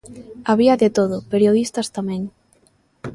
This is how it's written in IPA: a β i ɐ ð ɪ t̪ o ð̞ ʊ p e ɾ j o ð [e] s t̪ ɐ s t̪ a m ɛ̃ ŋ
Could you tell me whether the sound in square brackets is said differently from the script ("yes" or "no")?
yes